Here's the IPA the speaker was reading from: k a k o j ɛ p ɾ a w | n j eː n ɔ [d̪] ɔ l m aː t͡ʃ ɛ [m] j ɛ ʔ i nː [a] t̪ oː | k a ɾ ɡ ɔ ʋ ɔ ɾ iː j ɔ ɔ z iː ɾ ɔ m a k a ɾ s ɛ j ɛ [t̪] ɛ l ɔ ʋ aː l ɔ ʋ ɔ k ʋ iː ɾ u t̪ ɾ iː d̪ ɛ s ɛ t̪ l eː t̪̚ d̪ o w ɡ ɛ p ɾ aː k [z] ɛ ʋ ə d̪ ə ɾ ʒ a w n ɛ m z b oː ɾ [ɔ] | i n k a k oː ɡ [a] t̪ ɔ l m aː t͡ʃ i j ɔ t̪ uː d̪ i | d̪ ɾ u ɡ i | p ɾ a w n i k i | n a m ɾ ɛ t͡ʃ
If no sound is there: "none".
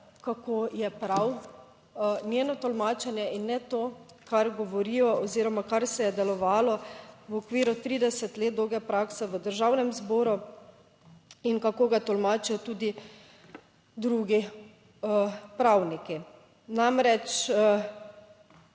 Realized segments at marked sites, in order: t̪, n, ɛ, d̪, s, u, a

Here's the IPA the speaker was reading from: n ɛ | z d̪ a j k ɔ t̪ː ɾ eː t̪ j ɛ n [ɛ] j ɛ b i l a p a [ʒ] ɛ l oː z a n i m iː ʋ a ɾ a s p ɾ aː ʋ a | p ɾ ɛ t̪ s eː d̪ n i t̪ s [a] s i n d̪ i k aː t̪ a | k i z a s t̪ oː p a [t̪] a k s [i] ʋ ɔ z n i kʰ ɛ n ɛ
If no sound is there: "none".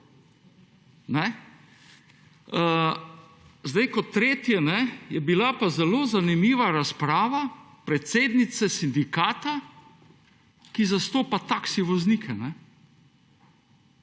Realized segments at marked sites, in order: ɛ, z, ɛ, t̪, i

